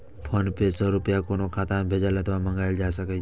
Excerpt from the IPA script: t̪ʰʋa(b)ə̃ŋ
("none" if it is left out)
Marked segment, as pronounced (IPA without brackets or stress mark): m